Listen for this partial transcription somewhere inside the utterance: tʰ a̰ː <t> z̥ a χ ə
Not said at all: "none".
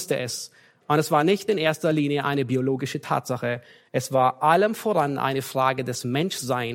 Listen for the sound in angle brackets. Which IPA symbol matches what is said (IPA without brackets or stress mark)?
t